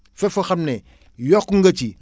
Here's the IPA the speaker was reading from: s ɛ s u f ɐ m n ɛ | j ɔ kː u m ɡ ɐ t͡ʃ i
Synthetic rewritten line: f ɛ f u x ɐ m n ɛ | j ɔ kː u ŋ ɡ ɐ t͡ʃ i

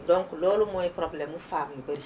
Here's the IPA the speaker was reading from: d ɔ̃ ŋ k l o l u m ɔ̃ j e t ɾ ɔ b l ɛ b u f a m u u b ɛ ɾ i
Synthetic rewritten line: d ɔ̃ ŋ k l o l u m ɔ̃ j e p ɾ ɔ b l ɛ m u f a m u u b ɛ ɾ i

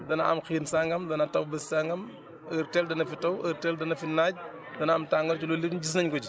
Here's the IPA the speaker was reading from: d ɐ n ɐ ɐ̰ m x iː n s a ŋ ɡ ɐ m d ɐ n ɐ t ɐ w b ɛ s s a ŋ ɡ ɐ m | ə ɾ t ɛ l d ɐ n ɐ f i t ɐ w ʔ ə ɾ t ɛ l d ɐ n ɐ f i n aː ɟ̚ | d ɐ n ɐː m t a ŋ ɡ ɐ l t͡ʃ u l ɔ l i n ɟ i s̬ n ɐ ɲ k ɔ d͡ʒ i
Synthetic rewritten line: d ɐ n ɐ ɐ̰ m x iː n s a ŋ ɡ ɐ m d ɐ n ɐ t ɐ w b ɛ s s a ŋ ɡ ɐ m | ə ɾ t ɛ l d ɐ n ɐ f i t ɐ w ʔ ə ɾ t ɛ l d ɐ n ɐ f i n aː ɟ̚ | d ɐ n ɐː m t a ŋ ɡ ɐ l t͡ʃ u l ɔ l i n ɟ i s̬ n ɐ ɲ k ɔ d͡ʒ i

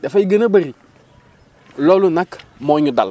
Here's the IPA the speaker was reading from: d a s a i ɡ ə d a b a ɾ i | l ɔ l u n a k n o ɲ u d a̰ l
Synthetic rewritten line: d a f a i ɡ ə n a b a ɾ i | l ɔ l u n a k m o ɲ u d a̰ l

